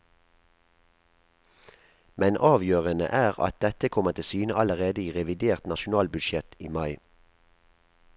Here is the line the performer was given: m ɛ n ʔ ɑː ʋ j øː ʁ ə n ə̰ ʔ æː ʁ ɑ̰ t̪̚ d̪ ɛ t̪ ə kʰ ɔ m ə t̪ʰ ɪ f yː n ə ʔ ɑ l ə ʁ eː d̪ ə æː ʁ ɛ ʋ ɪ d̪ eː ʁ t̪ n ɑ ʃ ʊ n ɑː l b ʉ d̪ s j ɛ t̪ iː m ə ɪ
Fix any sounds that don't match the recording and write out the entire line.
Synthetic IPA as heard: m ɛ n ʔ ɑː ʋ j øː ʁ ə n ə̰ ʔ æː ʁ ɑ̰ t̪̚ d̪ ɛ t̪ ə kʰ ɔ m ə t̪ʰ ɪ s yː n ə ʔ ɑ l ə ʁ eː d̪ ə iː ʁ ɛ ʋ ɪ d̪ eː ʁ t̪ n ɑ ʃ ʊ n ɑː l b ʉ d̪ ʃ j ɛ t̪ iː m ɑ ɪ